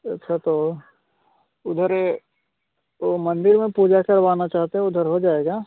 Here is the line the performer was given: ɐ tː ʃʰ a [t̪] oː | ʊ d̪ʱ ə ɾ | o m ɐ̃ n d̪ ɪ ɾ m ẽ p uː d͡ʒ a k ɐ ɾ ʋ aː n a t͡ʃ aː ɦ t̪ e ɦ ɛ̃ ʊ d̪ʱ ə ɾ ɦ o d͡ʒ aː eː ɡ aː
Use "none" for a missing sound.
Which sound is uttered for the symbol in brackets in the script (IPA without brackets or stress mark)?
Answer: t̪